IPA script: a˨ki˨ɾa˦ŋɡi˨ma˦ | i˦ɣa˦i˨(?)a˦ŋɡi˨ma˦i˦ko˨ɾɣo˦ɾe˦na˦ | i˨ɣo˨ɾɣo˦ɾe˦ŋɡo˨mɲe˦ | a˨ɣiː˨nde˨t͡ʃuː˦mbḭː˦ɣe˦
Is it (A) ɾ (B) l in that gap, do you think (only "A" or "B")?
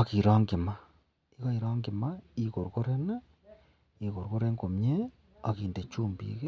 A